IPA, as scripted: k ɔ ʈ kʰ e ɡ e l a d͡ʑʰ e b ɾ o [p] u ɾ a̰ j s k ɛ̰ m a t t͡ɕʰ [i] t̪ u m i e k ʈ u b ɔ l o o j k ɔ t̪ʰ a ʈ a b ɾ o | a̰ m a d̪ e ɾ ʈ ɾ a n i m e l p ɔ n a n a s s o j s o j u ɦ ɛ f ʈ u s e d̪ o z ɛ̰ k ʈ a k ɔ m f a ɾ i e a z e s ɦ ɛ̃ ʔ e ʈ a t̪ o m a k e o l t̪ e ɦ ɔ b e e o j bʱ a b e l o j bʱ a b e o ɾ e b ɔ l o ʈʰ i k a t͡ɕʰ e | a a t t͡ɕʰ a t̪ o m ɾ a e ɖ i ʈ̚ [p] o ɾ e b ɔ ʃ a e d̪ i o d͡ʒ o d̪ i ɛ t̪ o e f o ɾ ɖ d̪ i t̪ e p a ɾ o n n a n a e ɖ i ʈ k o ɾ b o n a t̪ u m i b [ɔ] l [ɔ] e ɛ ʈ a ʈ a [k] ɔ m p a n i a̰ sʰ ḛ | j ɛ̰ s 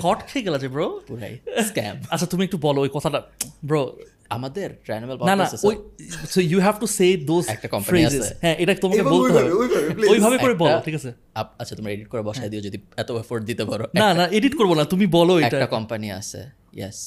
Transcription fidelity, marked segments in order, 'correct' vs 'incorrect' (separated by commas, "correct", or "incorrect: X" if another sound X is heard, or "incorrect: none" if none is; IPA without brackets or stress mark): correct, incorrect: a, incorrect: k, correct, incorrect: o, correct